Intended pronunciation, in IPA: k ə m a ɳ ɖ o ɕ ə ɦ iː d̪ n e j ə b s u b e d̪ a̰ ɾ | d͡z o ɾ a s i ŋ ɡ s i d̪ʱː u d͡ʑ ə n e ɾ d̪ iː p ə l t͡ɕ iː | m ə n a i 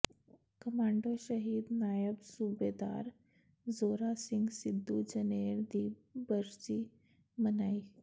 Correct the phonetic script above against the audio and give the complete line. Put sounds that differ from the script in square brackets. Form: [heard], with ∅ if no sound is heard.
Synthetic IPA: k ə m a ɳ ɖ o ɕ ə ɦ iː d̪ n [a] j ə b s u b e d̪ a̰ ɾ | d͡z o ɾ a s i ŋ ɡ s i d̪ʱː u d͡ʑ ə n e ɾ d̪ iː [b] ə [ɾ] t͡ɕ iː | m ə n a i